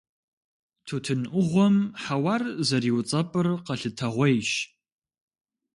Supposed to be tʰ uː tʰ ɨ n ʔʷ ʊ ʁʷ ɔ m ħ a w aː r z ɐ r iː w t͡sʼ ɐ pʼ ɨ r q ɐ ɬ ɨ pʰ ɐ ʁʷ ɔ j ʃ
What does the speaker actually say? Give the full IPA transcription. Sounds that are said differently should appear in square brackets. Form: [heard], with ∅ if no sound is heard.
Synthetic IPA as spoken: tʰ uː tʰ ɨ n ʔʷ ʊ ʁʷ ɔ m ħ a w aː r z ɐ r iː w t͡sʼ ɐ pʼ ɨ r q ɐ ɬ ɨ [tʰ] ɐ ʁʷ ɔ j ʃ

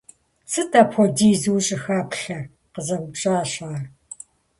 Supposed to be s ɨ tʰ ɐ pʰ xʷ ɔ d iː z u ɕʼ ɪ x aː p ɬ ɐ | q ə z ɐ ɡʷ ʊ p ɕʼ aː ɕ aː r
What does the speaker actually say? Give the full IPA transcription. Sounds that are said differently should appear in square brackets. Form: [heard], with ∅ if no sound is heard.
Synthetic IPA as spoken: s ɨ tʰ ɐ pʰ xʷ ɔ d iː z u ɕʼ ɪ x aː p ɬ ɐ | q ə z ɐ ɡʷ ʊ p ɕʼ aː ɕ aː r

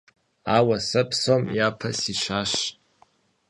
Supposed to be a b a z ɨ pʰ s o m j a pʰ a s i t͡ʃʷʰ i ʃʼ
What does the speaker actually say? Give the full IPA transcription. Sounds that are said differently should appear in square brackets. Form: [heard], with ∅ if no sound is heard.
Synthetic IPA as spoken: a [w] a [s] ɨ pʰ s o m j a pʰ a s i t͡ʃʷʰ [a] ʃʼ

